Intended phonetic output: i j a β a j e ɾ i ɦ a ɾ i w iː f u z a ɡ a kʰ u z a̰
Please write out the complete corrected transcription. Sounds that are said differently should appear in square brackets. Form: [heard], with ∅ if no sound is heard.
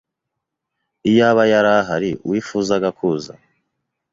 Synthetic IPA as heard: i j a β a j [a] ɾ [a] ɦ a ɾ i w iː f u z a ɡ a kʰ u z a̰